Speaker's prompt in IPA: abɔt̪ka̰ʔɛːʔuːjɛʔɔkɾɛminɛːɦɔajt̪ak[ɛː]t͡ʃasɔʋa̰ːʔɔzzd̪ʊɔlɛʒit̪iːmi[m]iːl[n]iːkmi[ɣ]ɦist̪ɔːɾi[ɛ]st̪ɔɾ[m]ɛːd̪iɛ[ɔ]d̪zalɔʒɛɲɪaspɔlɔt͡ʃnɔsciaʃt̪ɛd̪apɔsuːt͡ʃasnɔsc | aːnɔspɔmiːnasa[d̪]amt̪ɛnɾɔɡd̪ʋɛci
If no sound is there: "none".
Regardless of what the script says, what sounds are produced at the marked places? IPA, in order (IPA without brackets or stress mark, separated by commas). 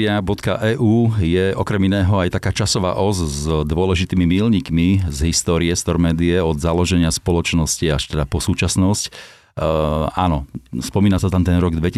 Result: aː, m, ɲ, z, ɛ, m, ɔ, t̪